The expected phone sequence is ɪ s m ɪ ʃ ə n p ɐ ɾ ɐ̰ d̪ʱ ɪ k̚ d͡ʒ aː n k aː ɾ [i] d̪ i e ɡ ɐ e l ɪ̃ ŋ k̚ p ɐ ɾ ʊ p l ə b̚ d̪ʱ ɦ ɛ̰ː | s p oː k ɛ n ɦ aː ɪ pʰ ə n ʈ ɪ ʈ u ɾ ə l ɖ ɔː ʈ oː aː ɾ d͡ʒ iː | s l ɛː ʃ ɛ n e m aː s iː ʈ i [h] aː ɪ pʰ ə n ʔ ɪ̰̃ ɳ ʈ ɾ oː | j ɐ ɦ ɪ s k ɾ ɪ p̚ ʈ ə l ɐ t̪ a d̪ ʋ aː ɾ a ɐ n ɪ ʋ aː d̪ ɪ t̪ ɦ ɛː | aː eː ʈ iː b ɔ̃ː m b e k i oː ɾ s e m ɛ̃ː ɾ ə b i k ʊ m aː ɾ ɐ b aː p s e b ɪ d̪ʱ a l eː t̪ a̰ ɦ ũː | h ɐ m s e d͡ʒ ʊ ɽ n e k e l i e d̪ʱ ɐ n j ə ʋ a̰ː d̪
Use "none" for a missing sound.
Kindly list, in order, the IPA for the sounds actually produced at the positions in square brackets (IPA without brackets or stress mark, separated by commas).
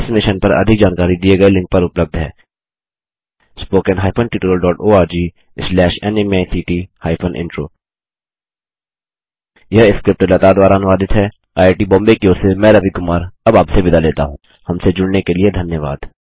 i, h